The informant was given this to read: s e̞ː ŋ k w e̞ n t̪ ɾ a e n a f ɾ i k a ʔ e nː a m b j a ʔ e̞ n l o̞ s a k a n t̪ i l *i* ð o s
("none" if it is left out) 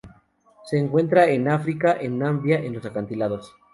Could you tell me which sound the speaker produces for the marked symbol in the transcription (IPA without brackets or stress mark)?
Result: a